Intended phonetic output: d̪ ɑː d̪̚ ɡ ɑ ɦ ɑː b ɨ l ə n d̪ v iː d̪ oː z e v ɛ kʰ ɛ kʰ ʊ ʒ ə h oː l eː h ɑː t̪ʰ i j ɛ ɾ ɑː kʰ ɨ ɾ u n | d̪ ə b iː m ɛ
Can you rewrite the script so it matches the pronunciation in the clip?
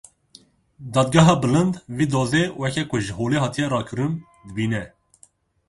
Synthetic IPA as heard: d̪ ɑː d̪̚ ɡ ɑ ɦ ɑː b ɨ l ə n d̪ v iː d̪ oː z e w ɛ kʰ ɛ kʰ ʊ ʒ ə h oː l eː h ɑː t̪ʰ i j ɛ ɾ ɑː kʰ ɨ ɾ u n | d̪ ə b iː n ɛ